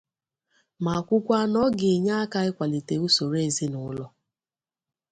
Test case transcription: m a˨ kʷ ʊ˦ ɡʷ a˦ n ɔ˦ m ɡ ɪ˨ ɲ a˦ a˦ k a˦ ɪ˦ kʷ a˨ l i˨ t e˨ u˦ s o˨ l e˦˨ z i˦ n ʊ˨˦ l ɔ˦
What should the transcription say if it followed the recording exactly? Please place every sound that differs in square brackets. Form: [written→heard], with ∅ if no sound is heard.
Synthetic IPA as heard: m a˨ kʷ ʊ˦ [ɡʷ→kʷ] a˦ n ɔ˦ [m→∅] ɡ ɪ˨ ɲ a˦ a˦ k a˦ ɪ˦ kʷ a˨ l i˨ t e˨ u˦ s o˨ [l→ɾ] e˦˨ z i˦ n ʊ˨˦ l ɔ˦